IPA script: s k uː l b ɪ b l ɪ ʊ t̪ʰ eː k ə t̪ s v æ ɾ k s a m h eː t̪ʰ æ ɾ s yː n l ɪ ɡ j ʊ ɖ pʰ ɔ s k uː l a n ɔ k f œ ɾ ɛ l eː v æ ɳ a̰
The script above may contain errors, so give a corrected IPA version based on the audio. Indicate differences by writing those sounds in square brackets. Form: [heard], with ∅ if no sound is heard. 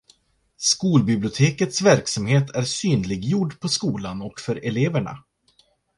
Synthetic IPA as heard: s k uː l b ɪ b l ɪ ʊ t̪ʰ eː k ə t̪ s v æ ɾ k s a m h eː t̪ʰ æ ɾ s yː n l ɪ ɡ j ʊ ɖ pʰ ɔ s k uː l a n ɔ k f œ ɾ ɛ l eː v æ ɳ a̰